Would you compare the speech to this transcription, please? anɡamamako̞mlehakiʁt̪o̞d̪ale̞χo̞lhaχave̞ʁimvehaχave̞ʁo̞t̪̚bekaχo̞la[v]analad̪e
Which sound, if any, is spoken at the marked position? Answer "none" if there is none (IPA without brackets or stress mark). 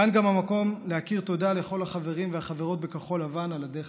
v